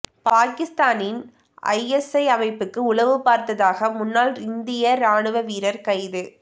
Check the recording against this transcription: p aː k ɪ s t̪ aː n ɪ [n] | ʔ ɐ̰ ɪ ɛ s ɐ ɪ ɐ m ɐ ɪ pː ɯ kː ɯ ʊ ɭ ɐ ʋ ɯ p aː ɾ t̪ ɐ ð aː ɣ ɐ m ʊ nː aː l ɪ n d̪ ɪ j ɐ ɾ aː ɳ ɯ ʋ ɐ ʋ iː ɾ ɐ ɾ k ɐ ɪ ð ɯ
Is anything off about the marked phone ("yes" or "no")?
no